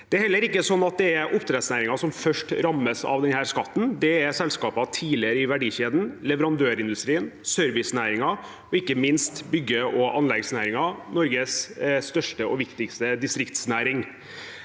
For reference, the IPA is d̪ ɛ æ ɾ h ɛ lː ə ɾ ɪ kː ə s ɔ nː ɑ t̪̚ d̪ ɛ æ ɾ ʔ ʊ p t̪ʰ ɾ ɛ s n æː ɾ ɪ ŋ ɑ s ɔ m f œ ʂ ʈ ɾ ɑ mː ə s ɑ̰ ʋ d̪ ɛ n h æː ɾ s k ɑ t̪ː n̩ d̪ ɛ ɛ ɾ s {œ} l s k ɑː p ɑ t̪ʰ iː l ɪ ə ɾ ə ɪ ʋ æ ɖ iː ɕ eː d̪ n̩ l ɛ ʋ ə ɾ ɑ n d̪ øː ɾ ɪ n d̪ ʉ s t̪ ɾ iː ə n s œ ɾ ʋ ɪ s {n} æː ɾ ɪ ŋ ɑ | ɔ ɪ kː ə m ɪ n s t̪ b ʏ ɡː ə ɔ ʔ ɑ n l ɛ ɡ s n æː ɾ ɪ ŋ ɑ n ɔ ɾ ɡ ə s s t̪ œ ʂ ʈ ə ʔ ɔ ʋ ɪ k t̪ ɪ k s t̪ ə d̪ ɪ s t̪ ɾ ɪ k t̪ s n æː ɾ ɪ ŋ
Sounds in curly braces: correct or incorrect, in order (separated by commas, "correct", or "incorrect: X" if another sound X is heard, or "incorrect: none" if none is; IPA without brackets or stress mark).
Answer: incorrect: ɛ, correct